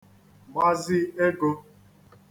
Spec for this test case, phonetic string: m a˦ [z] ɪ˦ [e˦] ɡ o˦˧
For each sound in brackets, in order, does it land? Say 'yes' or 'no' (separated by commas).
yes, yes